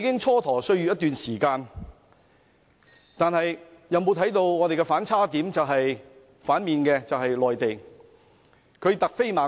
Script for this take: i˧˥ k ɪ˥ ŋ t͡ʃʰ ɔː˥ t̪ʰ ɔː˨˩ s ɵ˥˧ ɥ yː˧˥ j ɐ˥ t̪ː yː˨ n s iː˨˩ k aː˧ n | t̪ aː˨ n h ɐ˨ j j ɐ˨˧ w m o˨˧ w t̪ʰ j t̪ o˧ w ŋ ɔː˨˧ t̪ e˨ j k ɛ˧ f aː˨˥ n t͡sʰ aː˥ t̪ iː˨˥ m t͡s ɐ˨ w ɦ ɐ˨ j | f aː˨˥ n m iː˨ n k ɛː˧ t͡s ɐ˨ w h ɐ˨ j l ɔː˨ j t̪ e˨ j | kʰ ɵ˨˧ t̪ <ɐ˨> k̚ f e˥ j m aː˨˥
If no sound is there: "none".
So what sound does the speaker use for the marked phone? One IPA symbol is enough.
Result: ɐ˨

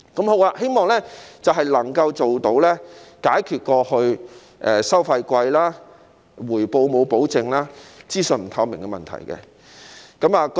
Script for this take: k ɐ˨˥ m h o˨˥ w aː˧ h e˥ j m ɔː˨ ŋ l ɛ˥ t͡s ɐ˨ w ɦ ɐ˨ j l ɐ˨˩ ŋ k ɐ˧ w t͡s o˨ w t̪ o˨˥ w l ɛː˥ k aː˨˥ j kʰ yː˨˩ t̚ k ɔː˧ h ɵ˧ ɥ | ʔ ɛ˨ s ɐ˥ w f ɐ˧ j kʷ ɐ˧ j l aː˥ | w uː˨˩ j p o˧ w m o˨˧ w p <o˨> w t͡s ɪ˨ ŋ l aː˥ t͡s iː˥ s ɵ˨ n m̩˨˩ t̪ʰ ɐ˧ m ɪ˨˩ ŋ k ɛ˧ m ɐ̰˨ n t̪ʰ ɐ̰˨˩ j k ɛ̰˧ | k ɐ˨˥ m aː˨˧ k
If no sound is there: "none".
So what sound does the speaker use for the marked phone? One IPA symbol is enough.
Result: o˨˥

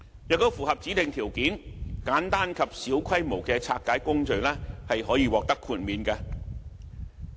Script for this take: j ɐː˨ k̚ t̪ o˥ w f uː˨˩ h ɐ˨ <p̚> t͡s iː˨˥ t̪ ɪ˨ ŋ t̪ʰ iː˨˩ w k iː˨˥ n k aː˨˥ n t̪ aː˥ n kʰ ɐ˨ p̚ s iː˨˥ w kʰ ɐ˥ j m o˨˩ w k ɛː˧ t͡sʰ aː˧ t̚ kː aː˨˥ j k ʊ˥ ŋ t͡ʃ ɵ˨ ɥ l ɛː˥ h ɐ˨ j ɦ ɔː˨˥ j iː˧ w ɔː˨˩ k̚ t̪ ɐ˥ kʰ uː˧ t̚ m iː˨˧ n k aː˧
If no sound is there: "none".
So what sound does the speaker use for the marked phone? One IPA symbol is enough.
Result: p̚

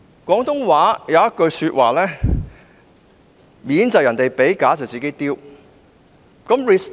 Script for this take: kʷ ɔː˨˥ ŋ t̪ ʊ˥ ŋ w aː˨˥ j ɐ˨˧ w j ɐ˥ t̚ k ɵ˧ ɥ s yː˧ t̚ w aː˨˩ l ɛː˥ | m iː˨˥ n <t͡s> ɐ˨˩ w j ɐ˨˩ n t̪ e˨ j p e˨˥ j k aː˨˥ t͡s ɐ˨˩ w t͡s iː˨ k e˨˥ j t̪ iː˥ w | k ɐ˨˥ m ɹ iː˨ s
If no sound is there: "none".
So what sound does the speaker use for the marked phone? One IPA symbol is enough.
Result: t͡s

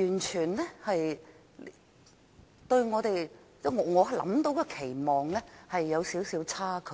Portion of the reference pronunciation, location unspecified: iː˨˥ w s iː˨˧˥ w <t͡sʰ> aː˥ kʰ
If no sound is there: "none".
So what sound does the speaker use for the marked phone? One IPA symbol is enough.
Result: t͡sʰ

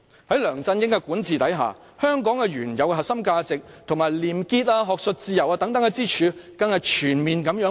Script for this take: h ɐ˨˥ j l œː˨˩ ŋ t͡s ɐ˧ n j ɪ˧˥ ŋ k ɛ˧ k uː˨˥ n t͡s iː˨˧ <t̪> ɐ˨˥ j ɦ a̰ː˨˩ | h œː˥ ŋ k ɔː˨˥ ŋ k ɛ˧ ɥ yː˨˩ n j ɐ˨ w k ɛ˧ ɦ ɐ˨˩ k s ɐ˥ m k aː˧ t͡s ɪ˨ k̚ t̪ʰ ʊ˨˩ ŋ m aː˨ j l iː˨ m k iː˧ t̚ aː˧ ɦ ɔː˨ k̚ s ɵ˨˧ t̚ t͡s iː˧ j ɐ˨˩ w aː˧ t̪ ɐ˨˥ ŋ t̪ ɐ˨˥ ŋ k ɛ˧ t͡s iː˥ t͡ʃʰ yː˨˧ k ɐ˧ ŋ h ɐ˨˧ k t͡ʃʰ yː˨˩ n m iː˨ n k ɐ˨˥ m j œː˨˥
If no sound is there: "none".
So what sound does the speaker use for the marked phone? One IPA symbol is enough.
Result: t̪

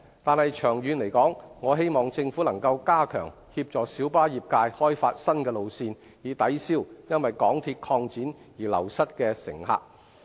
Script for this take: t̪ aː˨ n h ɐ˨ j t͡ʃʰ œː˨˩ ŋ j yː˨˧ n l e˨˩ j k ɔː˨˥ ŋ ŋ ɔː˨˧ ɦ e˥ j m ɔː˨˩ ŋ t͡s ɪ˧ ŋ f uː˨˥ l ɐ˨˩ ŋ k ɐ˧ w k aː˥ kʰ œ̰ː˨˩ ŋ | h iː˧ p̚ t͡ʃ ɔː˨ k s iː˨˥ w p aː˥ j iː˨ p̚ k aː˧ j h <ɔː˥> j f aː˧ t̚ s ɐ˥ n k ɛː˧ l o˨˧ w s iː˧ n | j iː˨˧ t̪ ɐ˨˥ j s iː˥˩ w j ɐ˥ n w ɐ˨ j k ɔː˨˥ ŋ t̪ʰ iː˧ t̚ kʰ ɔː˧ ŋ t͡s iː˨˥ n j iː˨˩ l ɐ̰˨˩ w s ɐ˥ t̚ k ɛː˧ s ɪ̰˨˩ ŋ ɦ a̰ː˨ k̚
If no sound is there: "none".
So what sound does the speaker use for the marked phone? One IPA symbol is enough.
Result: ɔː˥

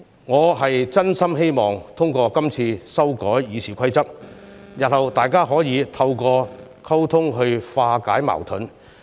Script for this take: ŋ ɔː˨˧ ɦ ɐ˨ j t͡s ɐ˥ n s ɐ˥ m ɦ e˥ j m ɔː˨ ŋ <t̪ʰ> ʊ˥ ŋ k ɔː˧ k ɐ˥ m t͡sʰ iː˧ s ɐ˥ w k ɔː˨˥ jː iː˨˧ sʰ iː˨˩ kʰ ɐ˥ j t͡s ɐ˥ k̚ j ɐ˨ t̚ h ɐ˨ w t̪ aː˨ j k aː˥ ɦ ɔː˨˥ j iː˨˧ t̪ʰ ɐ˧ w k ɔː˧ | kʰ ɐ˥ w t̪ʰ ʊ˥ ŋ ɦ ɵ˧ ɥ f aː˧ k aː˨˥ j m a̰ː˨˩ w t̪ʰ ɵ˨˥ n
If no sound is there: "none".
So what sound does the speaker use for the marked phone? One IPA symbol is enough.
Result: t̪ʰ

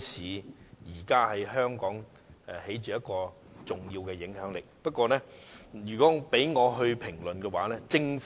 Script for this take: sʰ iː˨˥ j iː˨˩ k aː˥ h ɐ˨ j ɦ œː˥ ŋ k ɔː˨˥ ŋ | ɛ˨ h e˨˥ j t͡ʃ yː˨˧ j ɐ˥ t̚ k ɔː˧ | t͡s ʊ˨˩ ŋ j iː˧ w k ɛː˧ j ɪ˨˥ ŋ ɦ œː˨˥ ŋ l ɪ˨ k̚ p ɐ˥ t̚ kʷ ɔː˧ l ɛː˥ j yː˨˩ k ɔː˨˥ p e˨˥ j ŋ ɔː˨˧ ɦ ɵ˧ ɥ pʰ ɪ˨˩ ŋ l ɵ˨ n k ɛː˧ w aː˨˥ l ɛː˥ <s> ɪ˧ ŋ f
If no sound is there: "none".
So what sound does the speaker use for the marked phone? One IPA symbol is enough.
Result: t͡s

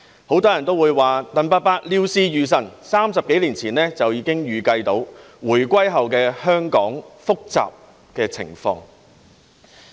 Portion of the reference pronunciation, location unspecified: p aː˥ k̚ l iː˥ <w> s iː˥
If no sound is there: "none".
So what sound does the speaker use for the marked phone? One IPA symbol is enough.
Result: w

